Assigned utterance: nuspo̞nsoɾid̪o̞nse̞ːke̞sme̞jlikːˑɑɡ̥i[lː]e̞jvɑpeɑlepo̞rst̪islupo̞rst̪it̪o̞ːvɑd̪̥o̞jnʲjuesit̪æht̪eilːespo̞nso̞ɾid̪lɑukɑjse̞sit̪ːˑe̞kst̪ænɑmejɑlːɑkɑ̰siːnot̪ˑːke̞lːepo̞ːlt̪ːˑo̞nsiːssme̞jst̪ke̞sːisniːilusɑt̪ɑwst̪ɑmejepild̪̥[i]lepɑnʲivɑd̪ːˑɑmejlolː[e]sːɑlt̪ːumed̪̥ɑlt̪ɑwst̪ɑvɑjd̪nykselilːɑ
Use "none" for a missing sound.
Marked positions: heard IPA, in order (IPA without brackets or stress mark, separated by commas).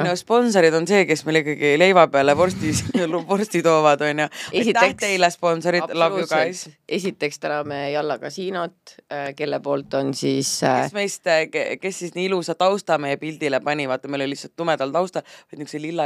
l, i, i